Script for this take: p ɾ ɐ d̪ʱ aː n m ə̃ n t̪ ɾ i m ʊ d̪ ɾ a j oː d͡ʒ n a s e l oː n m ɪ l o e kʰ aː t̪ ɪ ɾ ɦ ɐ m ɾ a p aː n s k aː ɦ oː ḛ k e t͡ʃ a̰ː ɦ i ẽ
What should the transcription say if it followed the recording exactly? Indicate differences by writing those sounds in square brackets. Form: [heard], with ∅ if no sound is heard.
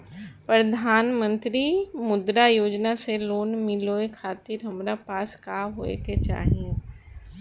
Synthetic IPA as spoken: p ɾ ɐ d̪ʱ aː n m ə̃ n t̪ ɾ i m ʊ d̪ ɾ a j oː d͡ʒ n a s e l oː n m ɪ l o e kʰ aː t̪ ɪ ɾ ɦ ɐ m ɾ a p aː [∅] s k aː ɦ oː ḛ k e t͡ʃ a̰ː ɦ i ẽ